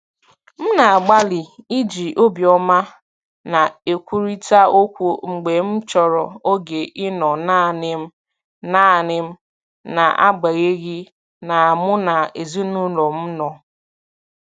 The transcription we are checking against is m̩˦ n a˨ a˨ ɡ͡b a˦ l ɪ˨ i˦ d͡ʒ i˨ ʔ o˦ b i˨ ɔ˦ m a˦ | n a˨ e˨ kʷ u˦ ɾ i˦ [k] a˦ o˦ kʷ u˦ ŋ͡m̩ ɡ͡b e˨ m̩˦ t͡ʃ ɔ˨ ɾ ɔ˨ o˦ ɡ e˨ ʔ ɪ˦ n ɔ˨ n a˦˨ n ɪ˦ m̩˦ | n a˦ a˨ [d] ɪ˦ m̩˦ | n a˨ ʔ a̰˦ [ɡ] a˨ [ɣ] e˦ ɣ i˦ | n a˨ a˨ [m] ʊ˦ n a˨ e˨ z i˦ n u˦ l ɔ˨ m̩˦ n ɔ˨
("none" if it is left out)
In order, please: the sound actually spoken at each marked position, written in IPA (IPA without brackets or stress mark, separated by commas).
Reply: t, n, ɡ͡b, ɣ, m